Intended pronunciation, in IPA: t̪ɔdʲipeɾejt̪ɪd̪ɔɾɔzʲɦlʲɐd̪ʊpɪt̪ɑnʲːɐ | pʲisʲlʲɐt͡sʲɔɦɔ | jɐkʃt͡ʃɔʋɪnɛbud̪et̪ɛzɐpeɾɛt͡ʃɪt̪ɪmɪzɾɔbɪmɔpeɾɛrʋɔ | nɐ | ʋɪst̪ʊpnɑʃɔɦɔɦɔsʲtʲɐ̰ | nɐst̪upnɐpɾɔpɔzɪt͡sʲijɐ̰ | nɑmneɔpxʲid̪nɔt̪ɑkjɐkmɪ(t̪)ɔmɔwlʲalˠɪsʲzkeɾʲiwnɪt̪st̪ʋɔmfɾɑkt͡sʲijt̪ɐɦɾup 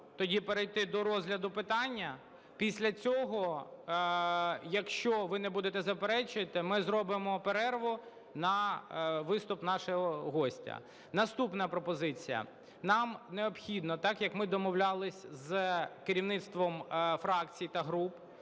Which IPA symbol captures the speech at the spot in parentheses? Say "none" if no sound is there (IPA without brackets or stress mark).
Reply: d̪